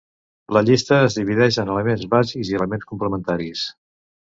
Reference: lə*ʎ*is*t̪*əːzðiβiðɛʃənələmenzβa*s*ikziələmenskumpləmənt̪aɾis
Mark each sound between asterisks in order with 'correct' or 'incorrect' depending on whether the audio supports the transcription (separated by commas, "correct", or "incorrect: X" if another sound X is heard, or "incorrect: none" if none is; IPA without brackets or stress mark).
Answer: correct, correct, incorrect: z